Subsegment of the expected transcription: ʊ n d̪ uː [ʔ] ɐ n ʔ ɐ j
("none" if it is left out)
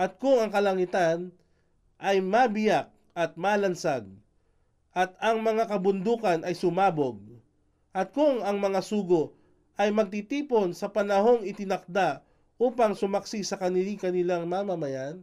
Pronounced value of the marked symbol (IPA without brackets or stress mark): k